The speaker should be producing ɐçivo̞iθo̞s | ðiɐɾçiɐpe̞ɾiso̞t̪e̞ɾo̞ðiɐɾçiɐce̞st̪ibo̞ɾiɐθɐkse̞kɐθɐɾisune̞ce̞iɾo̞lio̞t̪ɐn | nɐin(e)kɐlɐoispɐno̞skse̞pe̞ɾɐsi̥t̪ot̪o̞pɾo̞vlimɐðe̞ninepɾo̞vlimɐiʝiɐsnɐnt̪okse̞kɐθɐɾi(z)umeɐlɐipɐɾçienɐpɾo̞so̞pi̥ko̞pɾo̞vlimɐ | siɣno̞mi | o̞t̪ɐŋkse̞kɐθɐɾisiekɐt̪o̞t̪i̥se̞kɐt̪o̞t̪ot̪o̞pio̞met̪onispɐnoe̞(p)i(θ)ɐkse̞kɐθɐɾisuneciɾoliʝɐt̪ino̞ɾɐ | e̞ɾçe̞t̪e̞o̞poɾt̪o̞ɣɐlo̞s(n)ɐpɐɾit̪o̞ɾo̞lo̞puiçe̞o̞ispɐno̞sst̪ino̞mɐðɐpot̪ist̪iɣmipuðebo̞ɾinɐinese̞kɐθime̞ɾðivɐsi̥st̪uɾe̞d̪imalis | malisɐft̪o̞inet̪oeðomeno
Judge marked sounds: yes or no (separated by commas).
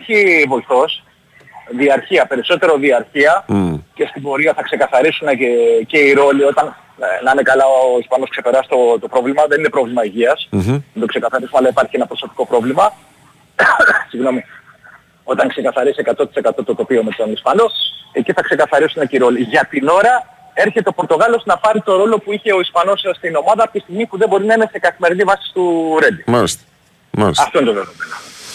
yes, no, no, yes, yes